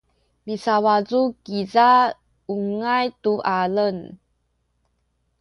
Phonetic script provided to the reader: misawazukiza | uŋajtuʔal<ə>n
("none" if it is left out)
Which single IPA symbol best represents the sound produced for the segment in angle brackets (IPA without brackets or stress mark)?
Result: ə